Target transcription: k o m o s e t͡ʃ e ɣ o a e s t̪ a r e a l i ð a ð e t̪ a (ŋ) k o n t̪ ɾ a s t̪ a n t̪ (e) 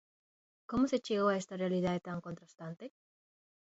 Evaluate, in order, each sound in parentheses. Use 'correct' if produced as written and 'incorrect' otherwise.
correct, correct

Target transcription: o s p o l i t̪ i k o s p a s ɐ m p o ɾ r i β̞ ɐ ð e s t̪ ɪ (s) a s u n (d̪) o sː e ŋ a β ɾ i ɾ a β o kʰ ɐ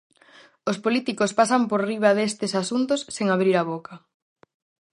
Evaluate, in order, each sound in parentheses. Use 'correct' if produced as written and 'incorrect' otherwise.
correct, incorrect: t̪

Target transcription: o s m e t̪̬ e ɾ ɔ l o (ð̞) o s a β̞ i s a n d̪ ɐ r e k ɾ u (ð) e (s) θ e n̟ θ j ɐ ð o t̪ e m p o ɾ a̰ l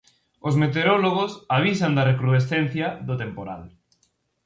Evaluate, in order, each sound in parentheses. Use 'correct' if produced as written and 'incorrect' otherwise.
incorrect: ɣ̞, correct, correct

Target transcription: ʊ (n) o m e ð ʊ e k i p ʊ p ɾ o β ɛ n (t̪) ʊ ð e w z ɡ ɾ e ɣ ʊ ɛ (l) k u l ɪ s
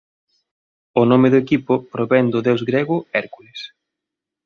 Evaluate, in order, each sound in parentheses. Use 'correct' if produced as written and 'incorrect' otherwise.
correct, incorrect: d̪, incorrect: ɾ

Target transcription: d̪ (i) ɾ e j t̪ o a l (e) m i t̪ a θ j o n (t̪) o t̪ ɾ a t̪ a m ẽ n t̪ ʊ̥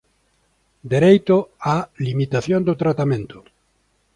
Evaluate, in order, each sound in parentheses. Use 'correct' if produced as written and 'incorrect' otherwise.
incorrect: e, incorrect: i, incorrect: d̪

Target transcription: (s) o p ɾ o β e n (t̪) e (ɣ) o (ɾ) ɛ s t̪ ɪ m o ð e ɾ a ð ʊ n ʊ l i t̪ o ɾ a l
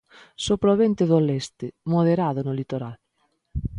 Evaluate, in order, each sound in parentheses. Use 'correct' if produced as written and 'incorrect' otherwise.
correct, correct, incorrect: ð, incorrect: l

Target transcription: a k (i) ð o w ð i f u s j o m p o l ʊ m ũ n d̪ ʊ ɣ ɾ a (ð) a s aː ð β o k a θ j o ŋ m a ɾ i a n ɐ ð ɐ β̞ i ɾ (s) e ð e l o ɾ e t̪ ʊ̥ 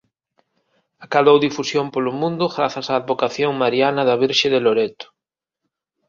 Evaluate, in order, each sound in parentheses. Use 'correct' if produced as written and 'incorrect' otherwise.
incorrect: a, incorrect: θ, incorrect: ʃ

